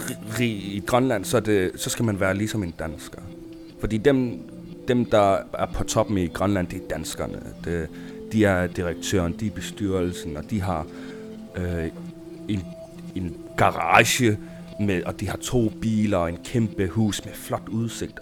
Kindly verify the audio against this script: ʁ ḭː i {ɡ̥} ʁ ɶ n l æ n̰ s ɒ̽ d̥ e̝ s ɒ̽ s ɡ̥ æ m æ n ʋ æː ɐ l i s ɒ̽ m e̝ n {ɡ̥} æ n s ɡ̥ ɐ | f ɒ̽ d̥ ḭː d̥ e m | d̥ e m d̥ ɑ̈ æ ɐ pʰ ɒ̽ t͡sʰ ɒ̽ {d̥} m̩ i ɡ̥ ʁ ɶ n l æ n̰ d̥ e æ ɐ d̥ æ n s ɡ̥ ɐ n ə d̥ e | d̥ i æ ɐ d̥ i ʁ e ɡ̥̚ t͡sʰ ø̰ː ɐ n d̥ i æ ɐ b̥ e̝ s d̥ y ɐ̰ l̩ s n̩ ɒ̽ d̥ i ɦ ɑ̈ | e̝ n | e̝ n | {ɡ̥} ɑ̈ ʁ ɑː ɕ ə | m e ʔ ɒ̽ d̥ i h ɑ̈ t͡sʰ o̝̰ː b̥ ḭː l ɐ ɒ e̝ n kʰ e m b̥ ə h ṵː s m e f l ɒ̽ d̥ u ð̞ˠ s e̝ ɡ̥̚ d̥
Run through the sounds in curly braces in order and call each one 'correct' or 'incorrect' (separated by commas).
correct, incorrect, incorrect, correct